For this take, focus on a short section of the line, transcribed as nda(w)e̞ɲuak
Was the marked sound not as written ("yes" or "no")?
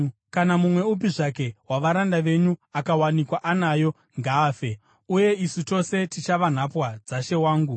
yes